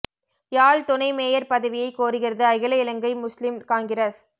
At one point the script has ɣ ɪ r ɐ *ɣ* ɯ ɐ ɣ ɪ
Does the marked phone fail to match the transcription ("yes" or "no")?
yes